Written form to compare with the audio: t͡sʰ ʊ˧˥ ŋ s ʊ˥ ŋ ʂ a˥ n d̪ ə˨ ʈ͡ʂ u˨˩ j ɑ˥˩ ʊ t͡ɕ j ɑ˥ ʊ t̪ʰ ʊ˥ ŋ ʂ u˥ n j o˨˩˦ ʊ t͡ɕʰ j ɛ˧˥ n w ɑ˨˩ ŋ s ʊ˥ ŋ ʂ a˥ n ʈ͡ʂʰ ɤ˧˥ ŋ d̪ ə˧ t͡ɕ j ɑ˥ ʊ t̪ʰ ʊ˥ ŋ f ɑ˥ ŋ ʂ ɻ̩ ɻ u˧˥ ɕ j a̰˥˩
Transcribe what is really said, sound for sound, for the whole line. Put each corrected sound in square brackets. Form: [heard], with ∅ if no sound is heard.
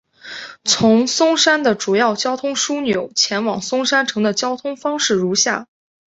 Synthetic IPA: t͡sʰ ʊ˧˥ ŋ s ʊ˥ ŋ ʂ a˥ n d̪ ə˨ ʈ͡ʂ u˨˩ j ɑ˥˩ ʊ t͡ɕ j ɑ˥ ʊ t̪ʰ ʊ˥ ŋ ʂ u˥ n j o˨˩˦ ʊ t͡ɕʰ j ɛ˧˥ n w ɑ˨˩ ŋ s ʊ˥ ŋ ʂ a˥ n ʈ͡ʂʰ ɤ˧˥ ŋ d̪ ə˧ t͡ɕ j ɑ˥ ʊ t̪ʰ ʊ˥ ŋ f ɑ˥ ŋ ʂ ɻ̩ ɻ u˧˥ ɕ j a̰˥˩

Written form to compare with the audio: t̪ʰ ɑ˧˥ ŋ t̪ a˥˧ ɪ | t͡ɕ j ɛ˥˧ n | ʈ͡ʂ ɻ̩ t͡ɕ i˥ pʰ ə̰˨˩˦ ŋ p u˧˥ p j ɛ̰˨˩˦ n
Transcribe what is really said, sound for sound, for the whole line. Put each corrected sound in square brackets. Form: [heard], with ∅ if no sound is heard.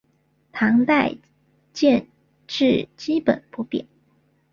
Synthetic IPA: t̪ʰ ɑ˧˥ ŋ t̪ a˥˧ ɪ | t͡ɕ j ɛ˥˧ n | ʈ͡ʂ ɻ̩ t͡ɕ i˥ [p] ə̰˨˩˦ [n] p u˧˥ p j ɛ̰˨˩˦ n

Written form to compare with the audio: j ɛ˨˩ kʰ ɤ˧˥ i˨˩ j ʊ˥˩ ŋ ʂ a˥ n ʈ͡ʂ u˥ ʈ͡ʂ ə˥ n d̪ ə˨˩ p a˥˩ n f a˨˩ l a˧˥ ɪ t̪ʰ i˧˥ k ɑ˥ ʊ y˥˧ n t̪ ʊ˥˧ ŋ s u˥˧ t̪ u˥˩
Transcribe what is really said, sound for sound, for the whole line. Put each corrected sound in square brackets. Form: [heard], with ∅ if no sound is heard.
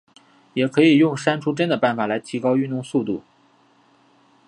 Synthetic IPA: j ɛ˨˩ kʰ ɤ˧˥ i˨˩ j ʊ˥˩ ŋ ʂ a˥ n [ʈ͡ʂʰ] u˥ ʈ͡ʂ ə˥ n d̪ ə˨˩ p a˥˩ n f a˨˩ l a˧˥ ɪ t̪ʰ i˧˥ k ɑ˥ ʊ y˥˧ n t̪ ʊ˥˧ ŋ s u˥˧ t̪ u˥˩

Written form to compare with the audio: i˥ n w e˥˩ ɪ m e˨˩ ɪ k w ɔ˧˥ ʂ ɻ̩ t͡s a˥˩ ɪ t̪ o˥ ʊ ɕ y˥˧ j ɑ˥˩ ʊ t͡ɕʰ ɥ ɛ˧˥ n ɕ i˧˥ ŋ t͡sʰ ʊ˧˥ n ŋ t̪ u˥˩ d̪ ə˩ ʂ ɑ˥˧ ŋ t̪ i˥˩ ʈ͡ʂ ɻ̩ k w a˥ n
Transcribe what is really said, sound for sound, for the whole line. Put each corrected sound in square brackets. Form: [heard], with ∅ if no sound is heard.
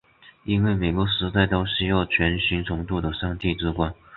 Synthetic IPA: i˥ n w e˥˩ ɪ m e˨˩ ɪ k w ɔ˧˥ ʂ ɻ̩ t͡s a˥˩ ɪ t̪ o˥ ʊ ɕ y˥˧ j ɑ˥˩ ʊ t͡ɕʰ ɥ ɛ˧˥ n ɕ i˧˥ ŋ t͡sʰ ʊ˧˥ [∅] ŋ t̪ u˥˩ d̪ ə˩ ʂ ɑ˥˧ ŋ t̪ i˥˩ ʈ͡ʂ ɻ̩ k w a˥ n

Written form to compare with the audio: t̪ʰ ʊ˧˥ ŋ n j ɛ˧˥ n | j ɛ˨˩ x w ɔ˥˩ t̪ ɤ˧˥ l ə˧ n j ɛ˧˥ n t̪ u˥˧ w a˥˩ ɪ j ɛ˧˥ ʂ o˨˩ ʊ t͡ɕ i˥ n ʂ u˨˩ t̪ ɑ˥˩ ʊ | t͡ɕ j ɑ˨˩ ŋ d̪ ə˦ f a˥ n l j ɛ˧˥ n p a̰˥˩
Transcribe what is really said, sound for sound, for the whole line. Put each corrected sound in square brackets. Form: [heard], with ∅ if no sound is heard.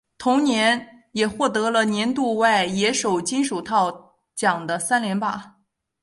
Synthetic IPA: t̪ʰ ʊ˧˥ ŋ n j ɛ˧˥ n | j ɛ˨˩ x w ɔ˥˩ t̪ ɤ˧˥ l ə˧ n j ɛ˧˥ n t̪ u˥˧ w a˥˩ ɪ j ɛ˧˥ ʂ o˨˩ ʊ t͡ɕ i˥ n ʂ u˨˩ [t̪ʰ] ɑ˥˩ ʊ | t͡ɕ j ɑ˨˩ ŋ d̪ ə˦ [s] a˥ n l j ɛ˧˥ n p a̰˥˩

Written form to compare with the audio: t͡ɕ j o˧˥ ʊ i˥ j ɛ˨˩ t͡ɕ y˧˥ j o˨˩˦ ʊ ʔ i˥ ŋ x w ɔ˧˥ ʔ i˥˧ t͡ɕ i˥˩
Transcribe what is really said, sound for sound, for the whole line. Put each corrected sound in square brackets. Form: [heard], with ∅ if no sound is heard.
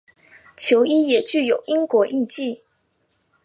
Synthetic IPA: [t͡ɕʰ] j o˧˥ ʊ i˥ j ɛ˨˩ t͡ɕ [y˥˩] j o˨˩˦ ʊ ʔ i˥ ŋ [k] w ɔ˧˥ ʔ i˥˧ t͡ɕ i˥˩

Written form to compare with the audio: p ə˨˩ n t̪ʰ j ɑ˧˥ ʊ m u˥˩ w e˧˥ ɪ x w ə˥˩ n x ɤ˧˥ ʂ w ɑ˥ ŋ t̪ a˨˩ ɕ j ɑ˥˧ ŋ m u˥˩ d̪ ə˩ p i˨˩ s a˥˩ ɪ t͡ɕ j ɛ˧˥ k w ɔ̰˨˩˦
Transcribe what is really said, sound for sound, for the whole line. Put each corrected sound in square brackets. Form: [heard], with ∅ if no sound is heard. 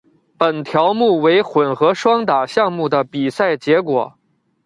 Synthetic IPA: p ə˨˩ n t̪ʰ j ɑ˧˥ ʊ m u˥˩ w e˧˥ ɪ x w [ə˨˩] n x ɤ˧˥ ʂ w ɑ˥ ŋ t̪ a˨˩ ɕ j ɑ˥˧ ŋ m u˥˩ d̪ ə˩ p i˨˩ s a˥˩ ɪ t͡ɕ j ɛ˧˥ k w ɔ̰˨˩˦

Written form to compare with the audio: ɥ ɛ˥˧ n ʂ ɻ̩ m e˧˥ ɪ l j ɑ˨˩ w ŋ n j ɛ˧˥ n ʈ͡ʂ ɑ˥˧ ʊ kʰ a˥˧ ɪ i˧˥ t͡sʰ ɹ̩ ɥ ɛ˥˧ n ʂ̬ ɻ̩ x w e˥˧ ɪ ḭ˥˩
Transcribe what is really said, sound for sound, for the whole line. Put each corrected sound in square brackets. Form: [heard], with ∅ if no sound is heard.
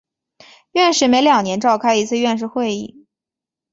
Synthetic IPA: ɥ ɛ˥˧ n ʂ ɻ̩ m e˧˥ ɪ l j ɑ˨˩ [∅] ŋ n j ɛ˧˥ n ʈ͡ʂ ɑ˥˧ ʊ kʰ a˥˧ ɪ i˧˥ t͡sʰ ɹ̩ ɥ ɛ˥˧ n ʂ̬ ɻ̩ x w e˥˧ ɪ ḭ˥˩

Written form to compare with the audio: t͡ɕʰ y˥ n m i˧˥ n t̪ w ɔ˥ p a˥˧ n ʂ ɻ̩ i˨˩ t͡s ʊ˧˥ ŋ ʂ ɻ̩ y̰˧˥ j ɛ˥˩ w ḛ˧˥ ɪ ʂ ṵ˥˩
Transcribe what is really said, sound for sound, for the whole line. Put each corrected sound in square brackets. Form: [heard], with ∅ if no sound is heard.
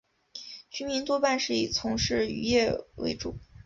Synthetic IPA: t͡ɕʰ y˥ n m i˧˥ n t̪ w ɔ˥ p a˥˧ n ʂ ɻ̩ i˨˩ [t͡sʰ] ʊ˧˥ ŋ ʂ ɻ̩ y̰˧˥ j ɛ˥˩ w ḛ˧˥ ɪ [ʈ͡ʂ] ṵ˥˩

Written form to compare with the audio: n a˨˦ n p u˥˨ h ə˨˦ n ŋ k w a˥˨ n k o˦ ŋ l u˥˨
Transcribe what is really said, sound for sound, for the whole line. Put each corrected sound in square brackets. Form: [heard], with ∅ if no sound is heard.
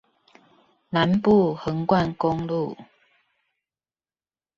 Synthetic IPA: n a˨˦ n p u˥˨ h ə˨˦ [∅] ŋ k w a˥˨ n k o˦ ŋ l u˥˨

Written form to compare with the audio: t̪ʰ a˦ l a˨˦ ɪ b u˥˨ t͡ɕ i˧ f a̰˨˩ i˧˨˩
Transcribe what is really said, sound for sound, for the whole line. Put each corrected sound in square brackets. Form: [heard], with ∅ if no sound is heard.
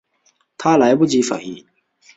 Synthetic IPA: t̪ʰ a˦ l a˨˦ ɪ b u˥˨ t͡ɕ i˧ f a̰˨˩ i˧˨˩

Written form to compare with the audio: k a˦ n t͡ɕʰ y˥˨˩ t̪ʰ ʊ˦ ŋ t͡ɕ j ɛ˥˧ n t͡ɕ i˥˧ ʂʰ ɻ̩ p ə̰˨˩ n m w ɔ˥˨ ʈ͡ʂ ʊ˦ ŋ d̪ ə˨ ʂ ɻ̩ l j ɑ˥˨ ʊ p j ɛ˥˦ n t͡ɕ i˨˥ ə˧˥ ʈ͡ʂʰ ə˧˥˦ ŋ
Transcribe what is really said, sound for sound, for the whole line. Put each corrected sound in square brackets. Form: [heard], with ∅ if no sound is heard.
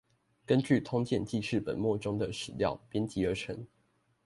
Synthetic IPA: k [ə˦] n [t͡ɕ] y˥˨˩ t̪ʰ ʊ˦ ŋ t͡ɕ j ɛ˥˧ n t͡ɕ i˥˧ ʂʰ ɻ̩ p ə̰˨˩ n m w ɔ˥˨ ʈ͡ʂ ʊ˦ ŋ d̪ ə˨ ʂ ɻ̩ l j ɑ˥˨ ʊ p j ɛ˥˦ n t͡ɕ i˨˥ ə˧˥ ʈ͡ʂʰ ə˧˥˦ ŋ

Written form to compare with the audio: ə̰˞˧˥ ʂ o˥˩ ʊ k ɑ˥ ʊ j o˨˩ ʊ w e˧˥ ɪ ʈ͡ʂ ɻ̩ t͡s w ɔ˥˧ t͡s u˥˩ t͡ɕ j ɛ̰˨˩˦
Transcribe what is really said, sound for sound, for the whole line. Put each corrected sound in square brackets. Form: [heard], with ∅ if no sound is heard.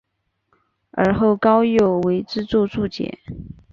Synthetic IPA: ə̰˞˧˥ [x] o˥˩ ʊ k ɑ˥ ʊ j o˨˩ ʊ w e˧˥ ɪ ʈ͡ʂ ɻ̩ t͡s w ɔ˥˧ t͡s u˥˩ t͡ɕ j ɛ̰˨˩˦

